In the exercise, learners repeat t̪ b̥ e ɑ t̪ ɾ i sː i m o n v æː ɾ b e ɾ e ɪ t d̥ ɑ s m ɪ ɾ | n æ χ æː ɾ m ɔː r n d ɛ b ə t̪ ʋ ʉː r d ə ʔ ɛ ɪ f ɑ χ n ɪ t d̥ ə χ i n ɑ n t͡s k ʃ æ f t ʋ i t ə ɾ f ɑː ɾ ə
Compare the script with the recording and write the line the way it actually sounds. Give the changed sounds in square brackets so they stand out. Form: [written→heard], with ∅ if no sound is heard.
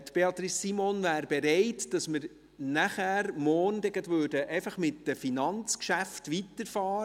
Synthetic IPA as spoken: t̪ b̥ e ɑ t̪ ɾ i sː i m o n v æː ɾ b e ɾ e ɪ t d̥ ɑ s m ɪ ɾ | n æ χ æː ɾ m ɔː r n d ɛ [b→ɡ] ə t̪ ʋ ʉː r d ə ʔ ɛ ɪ f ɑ χ [n→m] ɪ t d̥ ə [χ→f] i n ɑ n t͡s k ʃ æ f t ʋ i t ə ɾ f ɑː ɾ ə

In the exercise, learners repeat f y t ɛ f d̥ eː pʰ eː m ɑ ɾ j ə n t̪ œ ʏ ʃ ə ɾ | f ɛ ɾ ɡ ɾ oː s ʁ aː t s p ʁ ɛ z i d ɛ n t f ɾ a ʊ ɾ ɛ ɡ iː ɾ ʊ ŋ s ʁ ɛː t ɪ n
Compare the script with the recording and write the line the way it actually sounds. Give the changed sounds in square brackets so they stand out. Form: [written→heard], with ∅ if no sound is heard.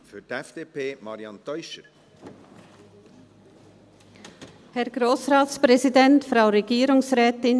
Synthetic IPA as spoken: f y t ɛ f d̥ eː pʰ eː m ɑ ɾ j [ə→ɑ] n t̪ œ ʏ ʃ ə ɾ | [f→h] ɛ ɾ ɡ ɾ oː s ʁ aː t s p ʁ ɛ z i d ɛ n t f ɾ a ʊ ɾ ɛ ɡ iː ɾ ʊ ŋ s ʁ ɛː t ɪ n

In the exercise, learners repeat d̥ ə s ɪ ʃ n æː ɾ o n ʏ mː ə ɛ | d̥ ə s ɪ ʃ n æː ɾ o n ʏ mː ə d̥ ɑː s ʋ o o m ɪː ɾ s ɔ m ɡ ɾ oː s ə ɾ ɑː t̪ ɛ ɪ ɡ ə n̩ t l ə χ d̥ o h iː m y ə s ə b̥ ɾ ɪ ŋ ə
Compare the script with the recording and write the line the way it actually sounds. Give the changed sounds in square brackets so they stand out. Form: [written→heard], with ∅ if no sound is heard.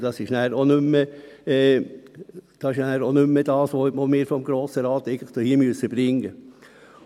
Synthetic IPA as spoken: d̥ [ə→ɑ] s ɪ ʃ n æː ɾ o n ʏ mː ə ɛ | d̥ [ə→ɑ] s ɪ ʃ n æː ɾ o n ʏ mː ə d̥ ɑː s ʋ o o m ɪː ɾ [s→f] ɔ m ɡ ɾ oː s ə ɾ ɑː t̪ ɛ ɪ ɡ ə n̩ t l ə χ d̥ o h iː m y ə s ə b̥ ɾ ɪ ŋ ə

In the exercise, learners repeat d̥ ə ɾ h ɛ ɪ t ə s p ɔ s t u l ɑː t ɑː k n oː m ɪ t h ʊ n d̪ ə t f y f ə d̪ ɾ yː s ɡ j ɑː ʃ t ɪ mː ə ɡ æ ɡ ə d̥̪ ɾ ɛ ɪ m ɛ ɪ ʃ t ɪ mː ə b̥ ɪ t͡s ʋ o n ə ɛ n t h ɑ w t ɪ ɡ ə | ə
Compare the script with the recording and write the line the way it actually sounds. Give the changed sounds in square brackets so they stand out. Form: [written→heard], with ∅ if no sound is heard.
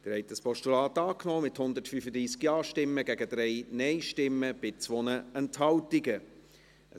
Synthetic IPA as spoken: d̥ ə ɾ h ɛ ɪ t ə s p ɔ [s→ʃ] t u l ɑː t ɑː k n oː m ɪ t h ʊ n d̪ ə t f y f ə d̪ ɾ [yː→iː] s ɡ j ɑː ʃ t ɪ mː ə ɡ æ ɡ ə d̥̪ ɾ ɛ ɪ [m→n] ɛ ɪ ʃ t ɪ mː ə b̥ ɪ t͡s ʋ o n ə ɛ n t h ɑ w t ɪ ɡ ə | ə

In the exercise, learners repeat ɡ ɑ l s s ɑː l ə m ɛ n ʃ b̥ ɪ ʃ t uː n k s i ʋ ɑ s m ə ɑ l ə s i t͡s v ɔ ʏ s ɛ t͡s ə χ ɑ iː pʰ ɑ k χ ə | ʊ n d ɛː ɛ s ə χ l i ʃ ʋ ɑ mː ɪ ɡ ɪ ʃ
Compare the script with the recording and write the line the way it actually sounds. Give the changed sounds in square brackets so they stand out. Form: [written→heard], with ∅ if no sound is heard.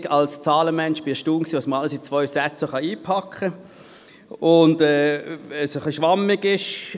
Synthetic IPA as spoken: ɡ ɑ l s [s→t͡s] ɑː l ə m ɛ n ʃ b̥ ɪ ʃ t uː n k s [i→iː] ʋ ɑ s m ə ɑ l ə s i t͡s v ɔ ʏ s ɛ t͡s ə χ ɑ iː pʰ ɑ k χ ə | ʊ n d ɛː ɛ s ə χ l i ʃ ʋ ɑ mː ɪ ɡ ɪ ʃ

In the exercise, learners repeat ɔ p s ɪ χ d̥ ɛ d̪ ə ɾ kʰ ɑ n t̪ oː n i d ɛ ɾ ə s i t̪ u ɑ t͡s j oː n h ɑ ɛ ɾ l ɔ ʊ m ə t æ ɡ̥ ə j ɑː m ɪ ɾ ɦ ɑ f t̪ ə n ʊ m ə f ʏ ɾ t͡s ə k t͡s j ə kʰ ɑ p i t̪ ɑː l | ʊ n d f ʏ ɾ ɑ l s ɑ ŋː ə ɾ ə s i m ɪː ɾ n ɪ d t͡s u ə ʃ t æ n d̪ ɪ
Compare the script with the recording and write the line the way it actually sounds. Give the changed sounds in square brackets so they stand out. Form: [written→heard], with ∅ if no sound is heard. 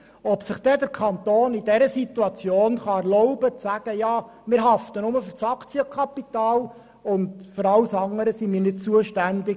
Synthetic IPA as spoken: ɔ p s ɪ χ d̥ ɛ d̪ ə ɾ kʰ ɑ n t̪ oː n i d ɛ ɾ ə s i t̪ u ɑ t͡s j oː n [h→χ] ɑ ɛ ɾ l ɔ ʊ [m→b] ə [t→t͡s] æ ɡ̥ ə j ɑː m ɪ ɾ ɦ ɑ f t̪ ə n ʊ m ə f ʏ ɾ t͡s [ə→ɑ] k t͡s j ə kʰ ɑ p i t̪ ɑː l | ʊ n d f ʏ ɾ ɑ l s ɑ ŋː ə ɾ ə s i m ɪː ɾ n ɪ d t͡s u ə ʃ t æ n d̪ ɪ

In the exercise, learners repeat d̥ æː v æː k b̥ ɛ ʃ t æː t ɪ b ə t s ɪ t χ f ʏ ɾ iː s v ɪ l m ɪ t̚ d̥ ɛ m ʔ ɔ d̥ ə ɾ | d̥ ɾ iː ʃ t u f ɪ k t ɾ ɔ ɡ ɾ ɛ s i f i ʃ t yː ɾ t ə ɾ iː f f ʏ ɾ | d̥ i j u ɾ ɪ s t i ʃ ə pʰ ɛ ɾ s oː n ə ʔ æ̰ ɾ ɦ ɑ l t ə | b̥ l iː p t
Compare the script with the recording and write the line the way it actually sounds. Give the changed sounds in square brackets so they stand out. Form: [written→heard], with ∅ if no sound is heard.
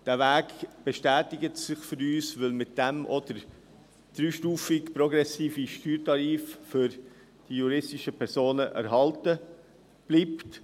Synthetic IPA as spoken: d̥ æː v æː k b̥ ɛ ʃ t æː t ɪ [b→ɡ] ə t s ɪ [t→∅] χ f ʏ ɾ [iː→yː] s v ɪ l m ɪ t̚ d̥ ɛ m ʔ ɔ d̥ ə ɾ | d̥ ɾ [iː→yː] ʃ t [u→uː] f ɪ k [t→p] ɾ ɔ ɡ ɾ ɛ s [i→iː] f i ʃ t yː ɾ t [ə→ɑ] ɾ iː f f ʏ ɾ | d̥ i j u ɾ ɪ s t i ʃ ə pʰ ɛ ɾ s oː n ə ʔ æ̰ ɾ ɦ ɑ l t ə | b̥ l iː p t

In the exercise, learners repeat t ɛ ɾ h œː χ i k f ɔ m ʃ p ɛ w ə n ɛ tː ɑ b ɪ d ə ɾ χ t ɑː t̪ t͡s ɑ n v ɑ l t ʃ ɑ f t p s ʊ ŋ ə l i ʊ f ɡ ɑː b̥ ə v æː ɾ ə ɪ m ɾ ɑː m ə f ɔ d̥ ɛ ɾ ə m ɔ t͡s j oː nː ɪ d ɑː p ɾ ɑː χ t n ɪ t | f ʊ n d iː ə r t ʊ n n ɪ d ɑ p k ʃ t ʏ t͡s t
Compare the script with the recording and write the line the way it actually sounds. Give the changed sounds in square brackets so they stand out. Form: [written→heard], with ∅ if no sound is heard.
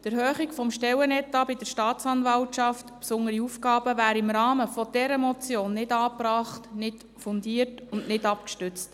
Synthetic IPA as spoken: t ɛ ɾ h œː χ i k f ɔ m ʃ [p→t] ɛ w ə n ɛ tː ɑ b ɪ d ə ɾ [χ→ʃ] t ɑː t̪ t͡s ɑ n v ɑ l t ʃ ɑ f t p s ʊ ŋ ə [l→ɾ] i [ʊ→u] f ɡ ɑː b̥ ə v æː ɾ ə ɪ m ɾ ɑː m ə f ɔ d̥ ɛ ɾ ə m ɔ t͡s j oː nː ɪ d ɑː p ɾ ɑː χ t n ɪ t | f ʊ n d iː ə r t ʊ n n ɪ d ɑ p k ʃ t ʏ t͡s t

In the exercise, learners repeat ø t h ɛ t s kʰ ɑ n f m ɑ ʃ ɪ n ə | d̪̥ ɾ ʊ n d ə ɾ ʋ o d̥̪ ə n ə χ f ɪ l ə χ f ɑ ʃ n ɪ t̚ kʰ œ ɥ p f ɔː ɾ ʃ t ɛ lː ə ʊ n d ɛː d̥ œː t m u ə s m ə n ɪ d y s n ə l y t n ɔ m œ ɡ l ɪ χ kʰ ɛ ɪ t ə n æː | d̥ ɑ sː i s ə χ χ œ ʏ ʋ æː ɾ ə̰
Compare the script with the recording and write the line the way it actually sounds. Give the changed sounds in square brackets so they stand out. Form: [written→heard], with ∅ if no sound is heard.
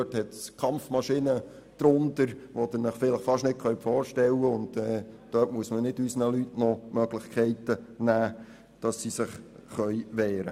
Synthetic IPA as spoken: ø t h ɛ t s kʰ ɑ [n→m] f m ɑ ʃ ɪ n ə | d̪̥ ɾ ʊ n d ə ɾ ʋ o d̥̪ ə n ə χ f ɪ l ə χ f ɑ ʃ n ɪ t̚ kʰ œ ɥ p f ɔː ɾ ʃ t ɛ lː ə ʊ n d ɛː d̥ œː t m u ə s m ə n ɪ d y s n ə l y t n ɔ m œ ɡ l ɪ χ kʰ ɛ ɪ t ə n æː | d̥ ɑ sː i s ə χ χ œ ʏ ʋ [æː→ɛː] ɾ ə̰

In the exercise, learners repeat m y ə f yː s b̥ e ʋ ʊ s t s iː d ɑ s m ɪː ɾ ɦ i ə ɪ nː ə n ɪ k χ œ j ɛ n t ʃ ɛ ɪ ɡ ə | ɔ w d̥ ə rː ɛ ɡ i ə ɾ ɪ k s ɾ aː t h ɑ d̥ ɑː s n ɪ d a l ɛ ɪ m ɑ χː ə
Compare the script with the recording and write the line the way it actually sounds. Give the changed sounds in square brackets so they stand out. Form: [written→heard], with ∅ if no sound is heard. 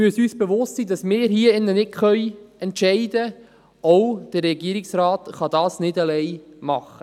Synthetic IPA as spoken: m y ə [f→s] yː s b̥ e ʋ ʊ s t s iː d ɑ s m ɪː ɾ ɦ i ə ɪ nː ə n ɪ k χ œ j ɛ n t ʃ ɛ ɪ [ɡ→d] ə | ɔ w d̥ ə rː ɛ ɡ i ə ɾ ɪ k s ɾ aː t [h→χ] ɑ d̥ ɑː s n ɪ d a l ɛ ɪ m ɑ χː ə

